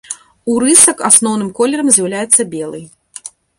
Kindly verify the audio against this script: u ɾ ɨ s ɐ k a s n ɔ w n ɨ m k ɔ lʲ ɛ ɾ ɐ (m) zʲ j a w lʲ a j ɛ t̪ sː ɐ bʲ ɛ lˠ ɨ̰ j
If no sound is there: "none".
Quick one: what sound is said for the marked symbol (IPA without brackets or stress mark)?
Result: m